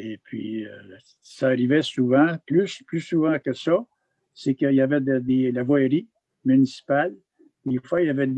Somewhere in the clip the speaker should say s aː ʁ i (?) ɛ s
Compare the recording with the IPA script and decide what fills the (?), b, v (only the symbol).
v